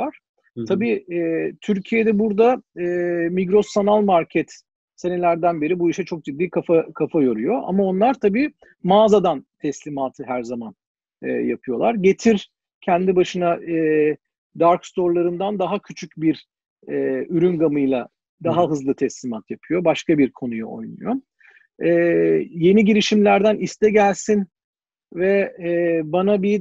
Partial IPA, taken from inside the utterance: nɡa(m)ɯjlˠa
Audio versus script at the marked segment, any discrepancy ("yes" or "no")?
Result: no